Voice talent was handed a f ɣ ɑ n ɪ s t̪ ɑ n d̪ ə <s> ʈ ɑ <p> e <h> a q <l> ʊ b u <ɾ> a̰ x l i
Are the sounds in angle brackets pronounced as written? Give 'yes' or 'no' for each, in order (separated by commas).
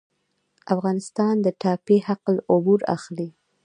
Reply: no, yes, yes, yes, yes